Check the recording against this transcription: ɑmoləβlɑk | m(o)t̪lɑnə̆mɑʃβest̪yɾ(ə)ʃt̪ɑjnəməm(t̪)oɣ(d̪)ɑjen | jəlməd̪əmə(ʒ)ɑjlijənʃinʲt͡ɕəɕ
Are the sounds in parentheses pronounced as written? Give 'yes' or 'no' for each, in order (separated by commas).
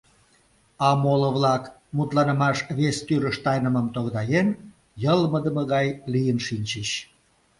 no, yes, yes, yes, no